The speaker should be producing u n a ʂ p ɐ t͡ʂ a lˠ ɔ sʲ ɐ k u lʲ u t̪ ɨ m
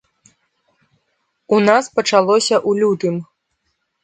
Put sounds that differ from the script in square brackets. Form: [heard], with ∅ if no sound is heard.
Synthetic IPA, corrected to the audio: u n a [s] p ɐ t͡ʂ a lˠ ɔ sʲ ɐ [ʔ] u lʲ u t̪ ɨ m